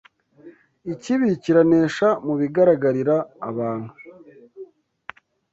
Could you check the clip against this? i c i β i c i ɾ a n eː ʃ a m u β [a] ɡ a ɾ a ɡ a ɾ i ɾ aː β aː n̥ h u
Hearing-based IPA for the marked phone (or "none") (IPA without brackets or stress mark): i